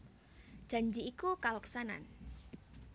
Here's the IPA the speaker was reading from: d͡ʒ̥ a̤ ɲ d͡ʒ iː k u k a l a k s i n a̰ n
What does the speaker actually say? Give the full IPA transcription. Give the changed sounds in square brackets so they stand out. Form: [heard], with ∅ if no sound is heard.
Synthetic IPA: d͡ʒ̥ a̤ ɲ d͡ʒ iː k u k a l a k s [a] n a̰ n